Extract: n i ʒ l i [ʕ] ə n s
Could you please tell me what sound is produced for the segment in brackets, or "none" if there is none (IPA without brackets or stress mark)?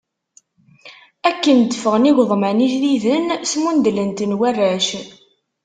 ð